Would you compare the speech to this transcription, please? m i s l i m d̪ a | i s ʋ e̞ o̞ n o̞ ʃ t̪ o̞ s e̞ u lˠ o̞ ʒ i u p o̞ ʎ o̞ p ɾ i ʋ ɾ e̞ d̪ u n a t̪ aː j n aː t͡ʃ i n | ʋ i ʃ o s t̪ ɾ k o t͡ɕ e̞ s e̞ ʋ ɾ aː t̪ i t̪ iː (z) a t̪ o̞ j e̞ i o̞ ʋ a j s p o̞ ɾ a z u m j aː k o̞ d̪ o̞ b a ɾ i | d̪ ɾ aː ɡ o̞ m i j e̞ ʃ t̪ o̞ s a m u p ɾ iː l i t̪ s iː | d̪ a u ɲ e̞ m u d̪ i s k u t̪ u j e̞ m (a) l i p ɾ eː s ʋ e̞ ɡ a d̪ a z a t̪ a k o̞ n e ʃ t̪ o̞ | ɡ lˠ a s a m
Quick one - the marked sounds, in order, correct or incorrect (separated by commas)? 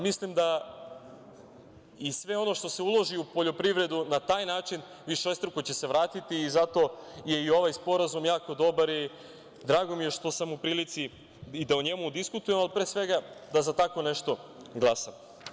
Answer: correct, correct